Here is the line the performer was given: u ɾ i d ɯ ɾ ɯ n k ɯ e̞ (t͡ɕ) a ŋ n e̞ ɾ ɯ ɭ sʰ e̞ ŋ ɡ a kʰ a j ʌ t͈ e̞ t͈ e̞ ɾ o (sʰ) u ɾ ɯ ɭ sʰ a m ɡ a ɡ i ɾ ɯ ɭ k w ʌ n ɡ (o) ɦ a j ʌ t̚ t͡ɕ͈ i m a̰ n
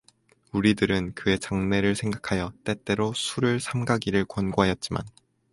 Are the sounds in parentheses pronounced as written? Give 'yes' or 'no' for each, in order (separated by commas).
yes, yes, yes